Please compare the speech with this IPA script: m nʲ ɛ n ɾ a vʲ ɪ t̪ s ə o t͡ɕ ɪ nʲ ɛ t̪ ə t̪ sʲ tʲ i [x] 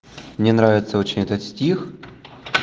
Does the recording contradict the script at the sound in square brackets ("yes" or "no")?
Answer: no